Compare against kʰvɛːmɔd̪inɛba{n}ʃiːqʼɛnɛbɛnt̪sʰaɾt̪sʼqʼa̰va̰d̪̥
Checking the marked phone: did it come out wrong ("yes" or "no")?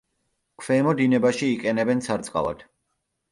yes